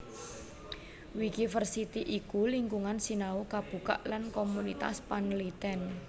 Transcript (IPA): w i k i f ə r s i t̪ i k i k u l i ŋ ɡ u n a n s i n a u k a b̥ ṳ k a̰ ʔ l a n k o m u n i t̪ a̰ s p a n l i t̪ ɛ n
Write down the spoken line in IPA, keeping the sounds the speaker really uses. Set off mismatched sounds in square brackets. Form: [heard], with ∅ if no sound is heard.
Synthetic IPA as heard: w i k i f ə r s i t̪ i [ʔ] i k u l i ŋ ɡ u [ŋ] a n s i n a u k a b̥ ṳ k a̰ ʔ l a n k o m u n i t̪ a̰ s p a n l i t̪ ɛ n